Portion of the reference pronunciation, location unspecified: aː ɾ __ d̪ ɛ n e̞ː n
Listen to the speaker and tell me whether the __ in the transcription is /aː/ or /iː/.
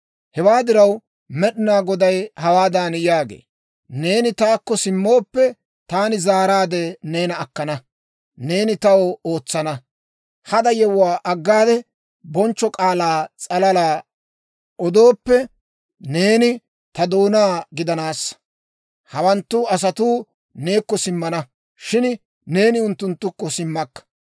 aː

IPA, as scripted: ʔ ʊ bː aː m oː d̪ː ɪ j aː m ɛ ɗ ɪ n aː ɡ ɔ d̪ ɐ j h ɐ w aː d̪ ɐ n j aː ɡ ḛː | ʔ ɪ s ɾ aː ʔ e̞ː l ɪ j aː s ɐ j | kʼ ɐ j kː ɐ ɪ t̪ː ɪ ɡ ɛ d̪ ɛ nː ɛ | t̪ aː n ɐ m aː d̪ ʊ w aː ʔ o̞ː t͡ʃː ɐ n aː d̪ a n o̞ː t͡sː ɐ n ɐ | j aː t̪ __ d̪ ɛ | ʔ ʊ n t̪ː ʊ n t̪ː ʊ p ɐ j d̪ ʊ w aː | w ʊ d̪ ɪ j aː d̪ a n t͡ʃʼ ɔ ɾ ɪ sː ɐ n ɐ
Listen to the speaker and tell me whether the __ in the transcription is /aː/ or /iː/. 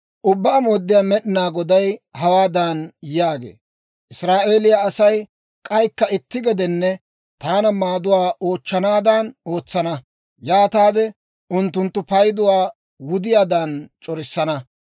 aː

